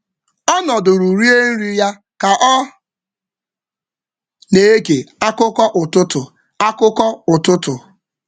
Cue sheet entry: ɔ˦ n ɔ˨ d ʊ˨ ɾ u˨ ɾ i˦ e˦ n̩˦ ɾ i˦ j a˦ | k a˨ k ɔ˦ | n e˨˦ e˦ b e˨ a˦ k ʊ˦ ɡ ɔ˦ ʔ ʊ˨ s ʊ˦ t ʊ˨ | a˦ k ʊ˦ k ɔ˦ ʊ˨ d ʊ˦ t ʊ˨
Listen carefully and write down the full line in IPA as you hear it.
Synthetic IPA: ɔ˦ n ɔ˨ d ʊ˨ ɾ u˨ ɾ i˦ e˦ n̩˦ ɾ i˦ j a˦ | k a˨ ʔ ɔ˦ | n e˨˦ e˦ ɡ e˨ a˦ k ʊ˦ k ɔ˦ ʔ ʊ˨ t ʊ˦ t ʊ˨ | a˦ k ʊ˦ k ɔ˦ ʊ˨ t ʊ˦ t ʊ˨